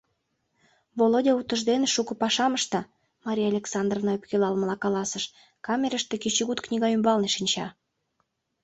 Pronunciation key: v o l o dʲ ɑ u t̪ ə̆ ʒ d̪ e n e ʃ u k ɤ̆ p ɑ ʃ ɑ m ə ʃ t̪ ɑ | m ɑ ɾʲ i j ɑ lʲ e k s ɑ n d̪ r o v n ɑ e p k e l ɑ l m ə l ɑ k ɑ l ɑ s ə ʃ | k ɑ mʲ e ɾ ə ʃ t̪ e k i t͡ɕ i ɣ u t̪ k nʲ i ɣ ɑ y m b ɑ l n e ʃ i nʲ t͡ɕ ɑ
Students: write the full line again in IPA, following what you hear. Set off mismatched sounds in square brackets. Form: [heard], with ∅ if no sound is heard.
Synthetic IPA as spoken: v o l o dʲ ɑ u t̪ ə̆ ʒ d̪ e n e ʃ u k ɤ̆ p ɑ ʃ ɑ m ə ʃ t̪ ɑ | m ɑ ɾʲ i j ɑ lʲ e k s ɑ n d̪ r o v n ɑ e p k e l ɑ l m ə l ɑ k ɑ l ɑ s ə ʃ | k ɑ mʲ e ɾ ə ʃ t̪ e k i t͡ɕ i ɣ u t̪ k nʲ i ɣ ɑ y m b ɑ l n e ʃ i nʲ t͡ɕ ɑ